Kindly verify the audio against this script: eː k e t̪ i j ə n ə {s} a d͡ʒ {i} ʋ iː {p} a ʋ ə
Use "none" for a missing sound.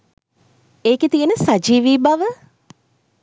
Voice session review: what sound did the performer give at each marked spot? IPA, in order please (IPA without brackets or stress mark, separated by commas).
s, iː, b